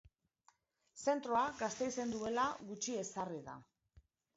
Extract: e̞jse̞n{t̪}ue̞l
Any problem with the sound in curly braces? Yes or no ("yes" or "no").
yes